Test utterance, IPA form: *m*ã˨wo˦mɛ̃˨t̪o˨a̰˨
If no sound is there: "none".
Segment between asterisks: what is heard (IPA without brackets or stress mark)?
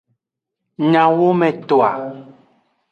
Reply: ɲ